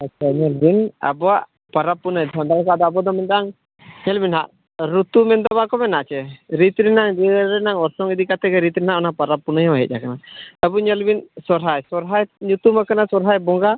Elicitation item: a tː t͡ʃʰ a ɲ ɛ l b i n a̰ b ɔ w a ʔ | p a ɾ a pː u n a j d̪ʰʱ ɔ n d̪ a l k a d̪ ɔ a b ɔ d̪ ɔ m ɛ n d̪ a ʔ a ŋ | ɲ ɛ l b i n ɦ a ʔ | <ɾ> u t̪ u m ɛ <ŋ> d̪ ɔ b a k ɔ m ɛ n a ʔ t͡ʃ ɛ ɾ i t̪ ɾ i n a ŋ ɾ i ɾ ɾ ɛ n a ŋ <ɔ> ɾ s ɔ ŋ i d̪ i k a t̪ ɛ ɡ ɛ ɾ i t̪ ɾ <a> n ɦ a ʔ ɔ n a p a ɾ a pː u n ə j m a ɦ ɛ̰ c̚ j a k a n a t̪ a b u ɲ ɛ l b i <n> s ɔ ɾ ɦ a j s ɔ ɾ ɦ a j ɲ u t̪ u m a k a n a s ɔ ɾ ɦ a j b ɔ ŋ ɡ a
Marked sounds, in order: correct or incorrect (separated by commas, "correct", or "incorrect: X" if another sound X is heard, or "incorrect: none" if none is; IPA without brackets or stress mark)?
correct, incorrect: n, correct, incorrect: i, correct